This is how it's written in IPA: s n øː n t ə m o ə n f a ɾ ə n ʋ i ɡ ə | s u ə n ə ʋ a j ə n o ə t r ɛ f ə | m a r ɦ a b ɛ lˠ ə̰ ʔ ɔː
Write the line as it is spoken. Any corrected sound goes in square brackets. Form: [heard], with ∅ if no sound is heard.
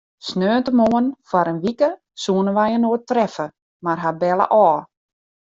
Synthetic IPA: s n øː n t ə m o ə n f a ɾ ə n ʋ i [k] ə | s u ə n ə ʋ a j ə n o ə t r ɛ f ə | m a r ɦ a b ɛ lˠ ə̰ ʔ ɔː